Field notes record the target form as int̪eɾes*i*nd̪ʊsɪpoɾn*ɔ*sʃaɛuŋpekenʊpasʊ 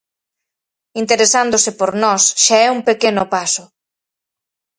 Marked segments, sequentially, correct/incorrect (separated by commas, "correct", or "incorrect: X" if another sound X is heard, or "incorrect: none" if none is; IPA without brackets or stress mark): incorrect: a, correct